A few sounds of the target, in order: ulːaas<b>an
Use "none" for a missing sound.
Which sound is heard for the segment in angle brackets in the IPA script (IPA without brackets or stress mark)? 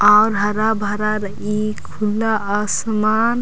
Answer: m